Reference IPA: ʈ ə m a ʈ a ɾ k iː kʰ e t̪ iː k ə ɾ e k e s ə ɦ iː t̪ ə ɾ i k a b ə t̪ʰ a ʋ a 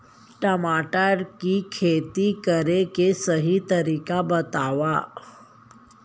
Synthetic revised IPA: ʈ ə m a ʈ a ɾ k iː kʰ e t̪ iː k ə ɾ e k e s ə ɦ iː t̪ ə ɾ i k a b ə t̪ a ʋ a